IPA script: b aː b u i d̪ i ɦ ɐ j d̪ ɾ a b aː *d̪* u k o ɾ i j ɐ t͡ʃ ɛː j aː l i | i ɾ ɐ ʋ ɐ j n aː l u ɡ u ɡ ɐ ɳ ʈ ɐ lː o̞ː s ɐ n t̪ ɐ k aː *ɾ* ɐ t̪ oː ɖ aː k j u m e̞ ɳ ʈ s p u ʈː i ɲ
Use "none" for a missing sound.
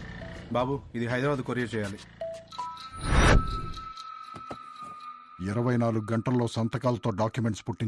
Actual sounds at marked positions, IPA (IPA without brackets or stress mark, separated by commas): d̪, l